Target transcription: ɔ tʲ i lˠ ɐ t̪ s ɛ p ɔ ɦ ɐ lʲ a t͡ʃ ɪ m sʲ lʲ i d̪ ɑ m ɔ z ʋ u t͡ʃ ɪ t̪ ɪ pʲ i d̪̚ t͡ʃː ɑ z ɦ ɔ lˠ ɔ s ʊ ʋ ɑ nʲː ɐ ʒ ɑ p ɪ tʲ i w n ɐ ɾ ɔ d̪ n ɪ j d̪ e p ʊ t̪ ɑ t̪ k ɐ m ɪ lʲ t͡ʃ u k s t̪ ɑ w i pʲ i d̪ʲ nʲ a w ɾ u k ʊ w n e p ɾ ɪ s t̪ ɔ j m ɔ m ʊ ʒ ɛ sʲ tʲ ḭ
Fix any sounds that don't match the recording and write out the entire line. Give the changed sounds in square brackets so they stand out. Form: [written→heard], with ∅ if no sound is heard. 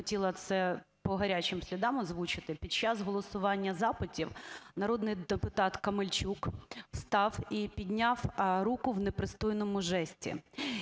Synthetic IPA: ɔ tʲ i lˠ ɐ t̪ s ɛ p ɔ ɦ ɐ [lʲ→ɾʲ] a t͡ʃ ɪ m sʲ lʲ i d̪ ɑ m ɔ z ʋ u t͡ʃ ɪ t̪ ɪ pʲ i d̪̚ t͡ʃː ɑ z ɦ ɔ lˠ ɔ s ʊ ʋ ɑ nʲː ɐ [ʒ→z] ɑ p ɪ tʲ i w n ɐ ɾ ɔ d̪ n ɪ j d̪ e p ʊ t̪ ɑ t̪ k ɐ m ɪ lʲ t͡ʃ u k s t̪ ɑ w i pʲ i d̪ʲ nʲ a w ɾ u k ʊ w n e p ɾ ɪ s t̪ ɔ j [m→n] ɔ m ʊ ʒ ɛ sʲ tʲ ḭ

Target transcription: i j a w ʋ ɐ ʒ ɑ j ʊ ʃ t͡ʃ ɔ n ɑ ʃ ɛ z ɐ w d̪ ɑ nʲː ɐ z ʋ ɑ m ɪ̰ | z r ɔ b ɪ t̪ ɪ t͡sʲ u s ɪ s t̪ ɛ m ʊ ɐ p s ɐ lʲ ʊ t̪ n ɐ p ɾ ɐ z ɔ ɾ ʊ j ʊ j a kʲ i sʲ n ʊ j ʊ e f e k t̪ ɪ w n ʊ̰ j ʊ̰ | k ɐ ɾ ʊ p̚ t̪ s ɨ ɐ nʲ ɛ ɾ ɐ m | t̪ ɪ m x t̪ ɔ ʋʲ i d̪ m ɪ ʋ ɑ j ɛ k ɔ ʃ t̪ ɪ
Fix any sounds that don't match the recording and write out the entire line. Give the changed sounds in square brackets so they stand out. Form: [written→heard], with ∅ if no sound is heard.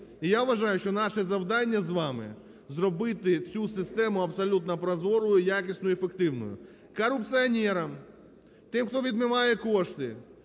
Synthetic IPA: i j a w ʋ ɐ ʒ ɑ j ʊ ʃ t͡ʃ ɔ n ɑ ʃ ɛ z ɐ w d̪ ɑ nʲː ɐ z ʋ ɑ m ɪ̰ | z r ɔ b ɪ t̪ ɪ t͡sʲ u s ɪ s t̪ ɛ m ʊ ɐ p s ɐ lʲ [ʊ→u] t̪ n ɐ p ɾ ɐ z ɔ ɾ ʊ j ʊ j a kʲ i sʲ n ʊ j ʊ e f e k t̪ ɪ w n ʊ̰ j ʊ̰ | k ɐ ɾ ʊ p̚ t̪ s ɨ ɐ nʲ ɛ ɾ ɐ m | t̪ ɪ m x t̪ ɔ ʋʲ i d̪ m ɪ ʋ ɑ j ɛ k ɔ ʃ t̪ ɪ

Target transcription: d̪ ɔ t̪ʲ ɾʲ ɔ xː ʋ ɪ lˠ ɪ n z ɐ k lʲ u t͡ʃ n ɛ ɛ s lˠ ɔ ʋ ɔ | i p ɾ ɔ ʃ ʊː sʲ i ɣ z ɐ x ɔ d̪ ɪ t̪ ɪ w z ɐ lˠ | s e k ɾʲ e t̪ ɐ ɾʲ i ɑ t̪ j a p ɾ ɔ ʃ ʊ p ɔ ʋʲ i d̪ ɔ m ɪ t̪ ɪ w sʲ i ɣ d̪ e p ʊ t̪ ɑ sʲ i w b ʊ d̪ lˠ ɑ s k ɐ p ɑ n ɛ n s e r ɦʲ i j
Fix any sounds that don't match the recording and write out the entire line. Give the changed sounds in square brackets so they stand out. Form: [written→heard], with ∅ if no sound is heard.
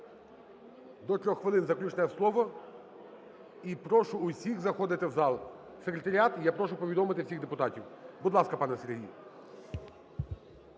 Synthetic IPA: d̪ ɔ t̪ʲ ɾʲ ɔ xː ʋ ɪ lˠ ɪ n z ɐ k lʲ u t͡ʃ n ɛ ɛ s lˠ ɔ ʋ ɔ | i p ɾ ɔ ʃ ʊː sʲ i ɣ z ɐ x ɔ d̪ ɪ t̪ ɪ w z [ɐ→ɑ] lˠ | s e k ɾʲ e t̪ ɐ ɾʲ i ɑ t̪ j a p ɾ ɔ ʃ ʊ p ɔ ʋʲ i d̪ ɔ m ɪ t̪ ɪ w sʲ i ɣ d̪ e p ʊ t̪ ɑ [sʲ→tʲ] i w b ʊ d̪ lˠ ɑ s k ɐ p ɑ n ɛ [n→∅] s e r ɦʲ i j

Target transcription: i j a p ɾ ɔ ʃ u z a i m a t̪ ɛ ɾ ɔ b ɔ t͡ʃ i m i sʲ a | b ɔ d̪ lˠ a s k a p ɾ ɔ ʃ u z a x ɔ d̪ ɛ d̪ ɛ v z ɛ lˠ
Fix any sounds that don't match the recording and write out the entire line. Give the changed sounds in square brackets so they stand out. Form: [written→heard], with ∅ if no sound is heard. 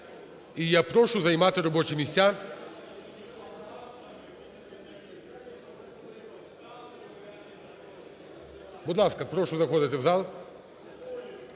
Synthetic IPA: i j a p ɾ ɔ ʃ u z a i m a t̪ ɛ ɾ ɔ b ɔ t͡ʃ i m i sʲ a | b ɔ d̪ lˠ a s k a p ɾ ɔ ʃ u z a x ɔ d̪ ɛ [d̪→t̪] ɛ v z [ɛ→a] lˠ

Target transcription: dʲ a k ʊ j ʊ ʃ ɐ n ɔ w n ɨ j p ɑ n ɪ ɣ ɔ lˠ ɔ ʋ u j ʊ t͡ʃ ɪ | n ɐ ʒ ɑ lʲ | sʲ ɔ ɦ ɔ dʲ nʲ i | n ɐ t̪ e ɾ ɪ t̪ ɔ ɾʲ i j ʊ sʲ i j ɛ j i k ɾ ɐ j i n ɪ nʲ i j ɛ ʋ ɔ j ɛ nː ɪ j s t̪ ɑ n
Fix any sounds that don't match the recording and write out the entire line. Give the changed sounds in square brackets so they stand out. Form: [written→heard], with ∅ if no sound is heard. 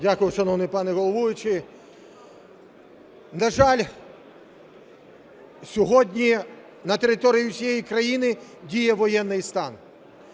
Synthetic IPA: dʲ a k ʊ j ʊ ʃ ɐ n ɔ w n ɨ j p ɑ n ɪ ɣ ɔ lˠ ɔ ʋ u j ʊ t͡ʃ ɪ | n ɐ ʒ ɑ lʲ | sʲ ɔ ɦ ɔ dʲ nʲ i | n ɐ t̪ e ɾ ɪ t̪ ɔ ɾʲ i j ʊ sʲ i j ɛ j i k ɾ ɐ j i n ɪ [nʲ→dʲ] i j ɛ ʋ ɔ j ɛ nː ɪ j s t̪ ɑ n

